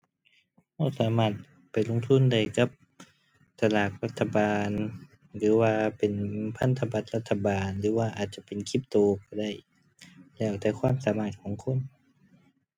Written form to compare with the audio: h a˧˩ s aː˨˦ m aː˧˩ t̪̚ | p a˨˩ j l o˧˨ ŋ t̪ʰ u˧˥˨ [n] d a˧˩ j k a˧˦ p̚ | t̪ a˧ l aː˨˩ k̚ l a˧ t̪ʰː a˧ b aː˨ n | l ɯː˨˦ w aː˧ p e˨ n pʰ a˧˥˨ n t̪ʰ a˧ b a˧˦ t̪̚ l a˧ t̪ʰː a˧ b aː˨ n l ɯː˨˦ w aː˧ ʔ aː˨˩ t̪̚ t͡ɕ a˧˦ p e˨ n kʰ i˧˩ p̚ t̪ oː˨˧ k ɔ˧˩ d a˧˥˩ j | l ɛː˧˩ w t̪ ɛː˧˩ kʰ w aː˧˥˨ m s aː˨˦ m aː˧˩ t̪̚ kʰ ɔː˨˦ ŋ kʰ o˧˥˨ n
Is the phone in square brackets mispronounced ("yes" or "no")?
no